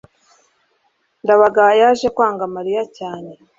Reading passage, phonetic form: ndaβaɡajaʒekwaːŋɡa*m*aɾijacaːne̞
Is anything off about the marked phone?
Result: no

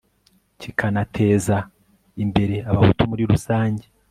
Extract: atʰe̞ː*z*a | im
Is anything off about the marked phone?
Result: no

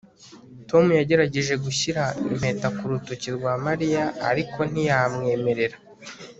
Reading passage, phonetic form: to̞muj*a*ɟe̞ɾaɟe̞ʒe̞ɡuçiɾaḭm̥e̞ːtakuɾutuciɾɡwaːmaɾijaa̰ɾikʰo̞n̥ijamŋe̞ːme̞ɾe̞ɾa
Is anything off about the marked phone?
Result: no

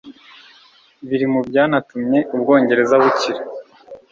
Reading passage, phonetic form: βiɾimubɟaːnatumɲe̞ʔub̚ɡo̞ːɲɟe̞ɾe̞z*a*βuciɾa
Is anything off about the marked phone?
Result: no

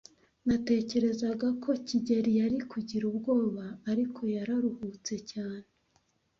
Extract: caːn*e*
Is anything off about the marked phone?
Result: no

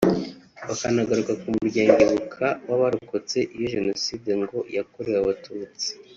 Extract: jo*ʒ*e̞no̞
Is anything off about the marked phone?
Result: no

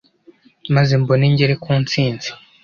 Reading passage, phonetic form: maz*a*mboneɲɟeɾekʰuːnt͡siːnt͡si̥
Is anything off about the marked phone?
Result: yes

